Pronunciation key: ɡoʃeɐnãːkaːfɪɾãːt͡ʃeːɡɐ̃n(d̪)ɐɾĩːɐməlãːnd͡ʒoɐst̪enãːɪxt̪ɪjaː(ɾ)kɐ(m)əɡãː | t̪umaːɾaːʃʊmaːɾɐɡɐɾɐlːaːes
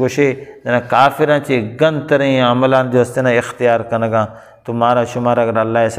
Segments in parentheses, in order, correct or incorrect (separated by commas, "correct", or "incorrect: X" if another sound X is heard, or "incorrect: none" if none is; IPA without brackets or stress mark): incorrect: t̪, correct, incorrect: n